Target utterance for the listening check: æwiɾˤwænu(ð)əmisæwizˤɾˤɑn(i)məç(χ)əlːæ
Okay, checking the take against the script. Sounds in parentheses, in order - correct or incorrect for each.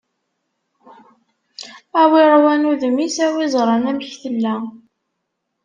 correct, incorrect, incorrect

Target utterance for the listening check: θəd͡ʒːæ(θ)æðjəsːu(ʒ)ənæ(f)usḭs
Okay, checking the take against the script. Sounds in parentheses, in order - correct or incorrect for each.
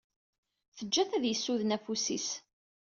correct, incorrect, correct

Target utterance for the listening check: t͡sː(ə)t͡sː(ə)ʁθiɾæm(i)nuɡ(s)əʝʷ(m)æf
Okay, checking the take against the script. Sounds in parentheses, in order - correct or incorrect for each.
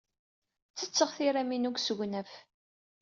correct, correct, correct, correct, incorrect

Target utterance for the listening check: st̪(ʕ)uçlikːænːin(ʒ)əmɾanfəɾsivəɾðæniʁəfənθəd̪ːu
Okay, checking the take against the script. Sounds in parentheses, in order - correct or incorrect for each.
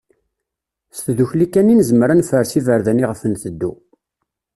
incorrect, incorrect

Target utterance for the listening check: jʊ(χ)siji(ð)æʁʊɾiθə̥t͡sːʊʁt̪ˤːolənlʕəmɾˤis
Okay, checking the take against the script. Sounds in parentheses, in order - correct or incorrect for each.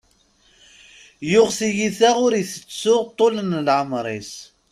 incorrect, incorrect

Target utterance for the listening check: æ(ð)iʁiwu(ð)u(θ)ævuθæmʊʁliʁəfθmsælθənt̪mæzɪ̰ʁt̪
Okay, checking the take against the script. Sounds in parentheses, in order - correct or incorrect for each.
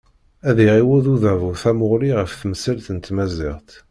correct, correct, incorrect

